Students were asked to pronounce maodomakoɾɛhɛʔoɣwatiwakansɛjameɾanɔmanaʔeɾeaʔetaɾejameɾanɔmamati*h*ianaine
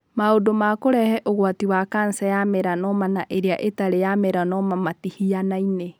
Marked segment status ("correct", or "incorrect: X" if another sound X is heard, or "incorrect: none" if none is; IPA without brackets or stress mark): correct